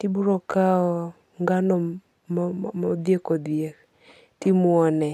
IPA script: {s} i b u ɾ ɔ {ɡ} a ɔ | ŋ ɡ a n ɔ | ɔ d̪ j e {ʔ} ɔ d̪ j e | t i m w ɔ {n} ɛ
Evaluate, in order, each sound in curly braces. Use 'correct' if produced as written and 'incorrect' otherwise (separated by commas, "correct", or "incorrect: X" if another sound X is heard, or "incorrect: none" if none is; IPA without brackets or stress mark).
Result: incorrect: t, incorrect: k, incorrect: k, correct